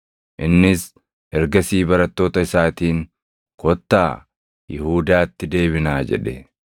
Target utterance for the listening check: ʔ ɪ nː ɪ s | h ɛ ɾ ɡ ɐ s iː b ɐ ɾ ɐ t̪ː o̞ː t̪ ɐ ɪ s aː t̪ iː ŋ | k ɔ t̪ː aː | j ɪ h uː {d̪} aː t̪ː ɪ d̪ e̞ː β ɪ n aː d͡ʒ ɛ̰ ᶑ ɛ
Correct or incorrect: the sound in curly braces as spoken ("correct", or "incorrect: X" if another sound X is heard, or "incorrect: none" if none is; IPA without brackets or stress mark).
correct